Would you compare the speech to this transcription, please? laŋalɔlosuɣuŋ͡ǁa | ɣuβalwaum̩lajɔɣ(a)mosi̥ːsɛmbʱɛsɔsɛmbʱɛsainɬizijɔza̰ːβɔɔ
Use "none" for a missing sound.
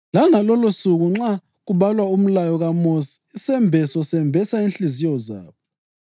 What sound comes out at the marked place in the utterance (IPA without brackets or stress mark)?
a